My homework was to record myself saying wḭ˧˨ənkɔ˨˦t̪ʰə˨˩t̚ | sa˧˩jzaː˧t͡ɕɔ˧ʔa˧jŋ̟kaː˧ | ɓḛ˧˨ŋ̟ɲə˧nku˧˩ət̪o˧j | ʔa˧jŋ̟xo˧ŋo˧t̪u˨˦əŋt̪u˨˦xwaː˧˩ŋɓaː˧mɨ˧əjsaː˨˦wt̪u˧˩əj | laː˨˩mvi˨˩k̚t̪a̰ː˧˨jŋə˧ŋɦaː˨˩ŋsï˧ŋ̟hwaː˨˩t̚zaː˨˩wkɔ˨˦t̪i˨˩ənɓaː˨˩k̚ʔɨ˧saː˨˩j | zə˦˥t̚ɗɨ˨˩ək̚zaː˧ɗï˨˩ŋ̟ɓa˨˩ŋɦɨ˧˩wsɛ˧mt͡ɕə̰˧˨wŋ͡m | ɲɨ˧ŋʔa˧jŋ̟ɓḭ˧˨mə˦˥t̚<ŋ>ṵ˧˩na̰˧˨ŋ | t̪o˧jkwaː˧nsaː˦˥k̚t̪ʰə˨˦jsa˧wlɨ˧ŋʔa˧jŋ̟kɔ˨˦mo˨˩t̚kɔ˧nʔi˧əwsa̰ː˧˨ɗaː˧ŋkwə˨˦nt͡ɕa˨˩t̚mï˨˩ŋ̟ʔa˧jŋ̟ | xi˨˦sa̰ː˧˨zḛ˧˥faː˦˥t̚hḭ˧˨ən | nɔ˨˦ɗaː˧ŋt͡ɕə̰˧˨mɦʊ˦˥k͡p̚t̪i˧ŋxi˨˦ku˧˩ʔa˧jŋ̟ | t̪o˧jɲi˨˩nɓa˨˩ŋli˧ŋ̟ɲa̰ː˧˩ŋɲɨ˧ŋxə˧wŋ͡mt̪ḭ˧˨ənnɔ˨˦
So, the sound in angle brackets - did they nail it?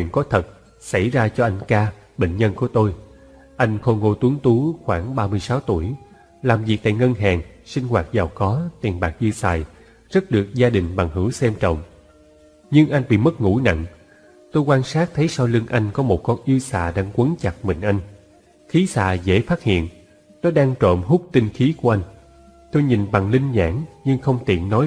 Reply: yes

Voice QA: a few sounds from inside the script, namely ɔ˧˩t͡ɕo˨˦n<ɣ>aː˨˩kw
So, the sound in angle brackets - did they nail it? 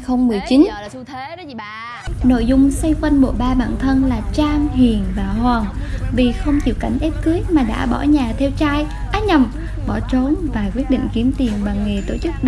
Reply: no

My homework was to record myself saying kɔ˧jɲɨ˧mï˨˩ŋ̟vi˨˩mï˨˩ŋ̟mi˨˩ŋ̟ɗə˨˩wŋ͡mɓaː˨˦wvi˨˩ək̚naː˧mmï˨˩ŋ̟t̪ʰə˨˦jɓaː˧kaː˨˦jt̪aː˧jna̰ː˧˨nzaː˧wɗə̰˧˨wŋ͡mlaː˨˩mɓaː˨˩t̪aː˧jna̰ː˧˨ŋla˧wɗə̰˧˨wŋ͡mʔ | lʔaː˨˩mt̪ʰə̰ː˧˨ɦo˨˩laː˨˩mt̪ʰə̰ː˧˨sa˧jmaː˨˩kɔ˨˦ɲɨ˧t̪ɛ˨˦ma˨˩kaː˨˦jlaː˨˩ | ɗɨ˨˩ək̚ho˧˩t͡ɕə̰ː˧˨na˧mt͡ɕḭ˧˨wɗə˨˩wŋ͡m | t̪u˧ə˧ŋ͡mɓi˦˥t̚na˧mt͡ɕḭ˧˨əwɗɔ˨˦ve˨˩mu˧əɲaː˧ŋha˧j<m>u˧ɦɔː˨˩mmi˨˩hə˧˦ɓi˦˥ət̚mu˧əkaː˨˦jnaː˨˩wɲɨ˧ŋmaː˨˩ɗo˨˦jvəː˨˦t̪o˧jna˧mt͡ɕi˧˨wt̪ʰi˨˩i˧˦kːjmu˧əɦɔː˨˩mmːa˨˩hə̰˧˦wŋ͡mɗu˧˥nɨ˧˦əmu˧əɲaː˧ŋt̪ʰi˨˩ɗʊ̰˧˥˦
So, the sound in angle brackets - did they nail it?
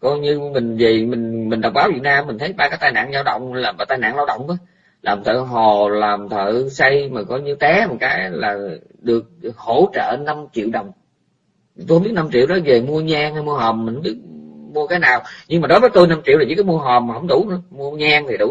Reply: yes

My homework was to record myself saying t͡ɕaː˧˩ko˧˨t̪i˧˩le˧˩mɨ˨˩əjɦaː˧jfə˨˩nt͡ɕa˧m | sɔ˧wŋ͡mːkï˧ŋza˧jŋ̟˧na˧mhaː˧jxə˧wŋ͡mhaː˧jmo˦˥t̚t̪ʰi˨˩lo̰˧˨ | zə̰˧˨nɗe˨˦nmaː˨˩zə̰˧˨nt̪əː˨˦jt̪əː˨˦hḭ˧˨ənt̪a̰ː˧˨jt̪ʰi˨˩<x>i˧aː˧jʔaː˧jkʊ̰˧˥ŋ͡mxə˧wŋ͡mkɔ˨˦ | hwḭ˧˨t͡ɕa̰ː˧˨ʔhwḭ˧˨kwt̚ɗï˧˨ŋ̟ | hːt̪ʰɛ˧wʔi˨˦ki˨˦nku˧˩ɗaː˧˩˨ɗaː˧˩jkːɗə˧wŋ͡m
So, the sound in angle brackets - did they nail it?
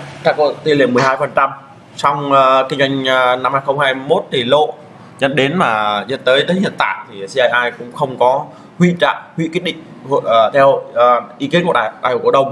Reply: no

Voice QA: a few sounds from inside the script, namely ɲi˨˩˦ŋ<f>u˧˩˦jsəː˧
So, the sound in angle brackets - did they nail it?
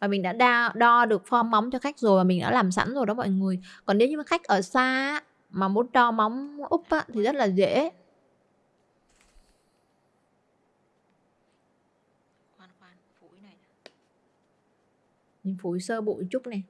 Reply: yes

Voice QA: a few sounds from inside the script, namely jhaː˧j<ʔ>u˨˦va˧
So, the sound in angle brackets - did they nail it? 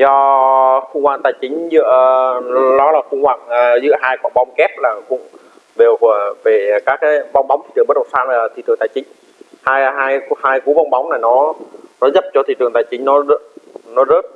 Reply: no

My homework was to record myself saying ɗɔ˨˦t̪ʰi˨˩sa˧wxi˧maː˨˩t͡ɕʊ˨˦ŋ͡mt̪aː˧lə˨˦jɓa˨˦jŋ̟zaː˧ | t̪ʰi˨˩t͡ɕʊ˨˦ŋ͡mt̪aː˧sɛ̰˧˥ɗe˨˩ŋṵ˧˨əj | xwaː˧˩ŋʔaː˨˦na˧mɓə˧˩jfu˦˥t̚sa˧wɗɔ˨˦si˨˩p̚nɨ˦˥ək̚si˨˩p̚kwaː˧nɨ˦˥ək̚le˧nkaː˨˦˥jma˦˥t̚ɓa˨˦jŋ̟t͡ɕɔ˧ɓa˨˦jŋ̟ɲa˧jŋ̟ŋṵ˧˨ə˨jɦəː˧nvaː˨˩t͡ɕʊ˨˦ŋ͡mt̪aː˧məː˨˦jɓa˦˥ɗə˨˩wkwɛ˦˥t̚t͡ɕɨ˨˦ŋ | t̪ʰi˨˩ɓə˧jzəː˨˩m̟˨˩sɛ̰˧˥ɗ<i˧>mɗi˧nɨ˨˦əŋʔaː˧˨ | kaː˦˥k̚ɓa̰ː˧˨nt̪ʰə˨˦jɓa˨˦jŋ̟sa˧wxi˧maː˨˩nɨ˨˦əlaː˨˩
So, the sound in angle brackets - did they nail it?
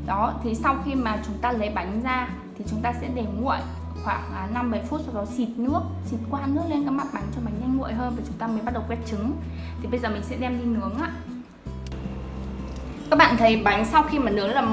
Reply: no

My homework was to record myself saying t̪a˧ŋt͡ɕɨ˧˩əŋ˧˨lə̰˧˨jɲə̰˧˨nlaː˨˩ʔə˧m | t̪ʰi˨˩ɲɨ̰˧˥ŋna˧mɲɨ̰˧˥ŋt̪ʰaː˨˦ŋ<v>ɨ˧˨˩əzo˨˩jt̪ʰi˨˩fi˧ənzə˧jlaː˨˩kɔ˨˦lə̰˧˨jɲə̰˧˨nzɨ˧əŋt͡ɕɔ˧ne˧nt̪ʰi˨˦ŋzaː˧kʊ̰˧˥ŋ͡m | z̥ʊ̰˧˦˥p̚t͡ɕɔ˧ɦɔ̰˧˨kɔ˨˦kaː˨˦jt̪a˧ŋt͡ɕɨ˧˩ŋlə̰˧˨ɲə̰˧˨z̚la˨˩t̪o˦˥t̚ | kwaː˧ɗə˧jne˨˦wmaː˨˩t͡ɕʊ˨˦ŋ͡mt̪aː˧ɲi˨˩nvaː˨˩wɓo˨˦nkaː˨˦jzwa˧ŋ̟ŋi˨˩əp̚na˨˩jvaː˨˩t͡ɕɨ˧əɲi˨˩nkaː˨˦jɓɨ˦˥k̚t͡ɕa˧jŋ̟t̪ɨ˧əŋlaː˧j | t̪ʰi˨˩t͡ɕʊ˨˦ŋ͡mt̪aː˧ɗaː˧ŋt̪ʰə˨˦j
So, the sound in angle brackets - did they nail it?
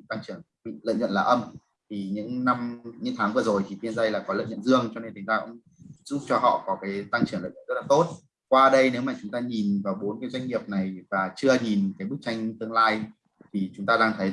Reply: yes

